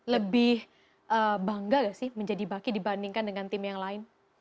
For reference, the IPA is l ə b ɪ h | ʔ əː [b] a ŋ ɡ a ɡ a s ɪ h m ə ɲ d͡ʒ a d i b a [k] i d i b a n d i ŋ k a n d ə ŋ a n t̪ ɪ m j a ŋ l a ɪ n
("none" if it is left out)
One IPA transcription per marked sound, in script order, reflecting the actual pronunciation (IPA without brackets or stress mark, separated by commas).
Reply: b, k